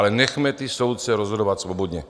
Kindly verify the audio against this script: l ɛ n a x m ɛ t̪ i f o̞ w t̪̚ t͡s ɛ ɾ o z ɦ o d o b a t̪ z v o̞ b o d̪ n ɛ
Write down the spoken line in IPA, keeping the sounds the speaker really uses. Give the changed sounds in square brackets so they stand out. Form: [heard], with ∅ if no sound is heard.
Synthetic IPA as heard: l ɛ n [ɛ] x m ɛ t̪ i [s] o̞ w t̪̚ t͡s ɛ ɾ o z ɦ o d o [v] a t̪ [s] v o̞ b o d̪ [ɲ] ɛ